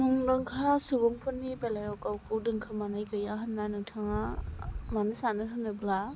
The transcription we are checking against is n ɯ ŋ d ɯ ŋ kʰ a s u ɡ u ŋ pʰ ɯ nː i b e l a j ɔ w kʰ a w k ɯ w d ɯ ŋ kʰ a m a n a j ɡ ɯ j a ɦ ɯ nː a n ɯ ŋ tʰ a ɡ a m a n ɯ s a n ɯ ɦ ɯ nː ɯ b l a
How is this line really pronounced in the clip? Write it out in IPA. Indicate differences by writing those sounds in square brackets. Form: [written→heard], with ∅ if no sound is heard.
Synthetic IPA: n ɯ ŋ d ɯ ŋ kʰ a s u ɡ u ŋ pʰ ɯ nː i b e l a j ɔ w [kʰ→k] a w k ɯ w d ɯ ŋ kʰ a m a n a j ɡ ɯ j a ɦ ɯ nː a n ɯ ŋ tʰ a [ɡ→ŋ] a m a n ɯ s a n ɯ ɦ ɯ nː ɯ b l a

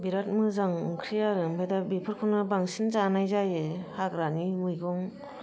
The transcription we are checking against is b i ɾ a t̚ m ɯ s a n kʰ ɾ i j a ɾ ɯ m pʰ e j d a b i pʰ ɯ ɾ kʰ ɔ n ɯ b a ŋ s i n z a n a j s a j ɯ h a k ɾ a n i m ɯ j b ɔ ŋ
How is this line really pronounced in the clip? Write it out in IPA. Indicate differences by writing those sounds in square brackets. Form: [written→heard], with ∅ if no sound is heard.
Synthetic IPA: b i ɾ a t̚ m ɯ [s→z] a [n→ŋ] kʰ ɾ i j a ɾ ɯ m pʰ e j d a b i pʰ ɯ ɾ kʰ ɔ n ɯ b a ŋ s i n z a n a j [s→z] a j ɯ h a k ɾ a n i m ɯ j [b→ɡ] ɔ ŋ

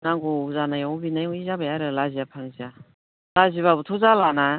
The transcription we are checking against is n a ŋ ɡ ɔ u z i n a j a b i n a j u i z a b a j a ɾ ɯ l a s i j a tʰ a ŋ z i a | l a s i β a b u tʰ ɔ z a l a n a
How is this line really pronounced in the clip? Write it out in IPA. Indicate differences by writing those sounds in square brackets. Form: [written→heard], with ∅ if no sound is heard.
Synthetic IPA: n a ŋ ɡ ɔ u z [i→a] n a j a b i n a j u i z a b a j a ɾ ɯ l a [s→z] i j a [tʰ→pʰ] a ŋ z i a | l a [s→z] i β a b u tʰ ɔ z a l a n a

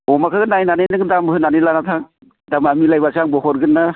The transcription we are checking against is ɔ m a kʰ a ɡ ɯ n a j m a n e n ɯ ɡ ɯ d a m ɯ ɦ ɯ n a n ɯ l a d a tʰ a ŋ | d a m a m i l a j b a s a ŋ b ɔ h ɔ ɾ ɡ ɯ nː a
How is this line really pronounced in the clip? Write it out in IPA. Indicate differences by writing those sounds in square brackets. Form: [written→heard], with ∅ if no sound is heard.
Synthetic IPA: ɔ m a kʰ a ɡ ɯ n a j [m→n] a n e n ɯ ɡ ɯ d a m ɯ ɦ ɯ n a n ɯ l a [d→n] a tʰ a ŋ | d a m a m i l a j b a s a ŋ b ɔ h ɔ ɾ ɡ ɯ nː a

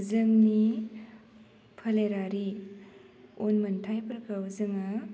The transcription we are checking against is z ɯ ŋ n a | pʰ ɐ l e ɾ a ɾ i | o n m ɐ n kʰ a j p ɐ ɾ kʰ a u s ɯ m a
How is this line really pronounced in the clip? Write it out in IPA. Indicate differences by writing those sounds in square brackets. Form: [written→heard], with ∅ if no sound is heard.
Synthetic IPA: z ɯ ŋ n [a→i] | pʰ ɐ l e ɾ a ɾ i | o n m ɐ n [kʰ→tʰ] a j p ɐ ɾ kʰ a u [s→z] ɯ [m→ŋ] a

